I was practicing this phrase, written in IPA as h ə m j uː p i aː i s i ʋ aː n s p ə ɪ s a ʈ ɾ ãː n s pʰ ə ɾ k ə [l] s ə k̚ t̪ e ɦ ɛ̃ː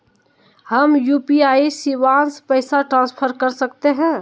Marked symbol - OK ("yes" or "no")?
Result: no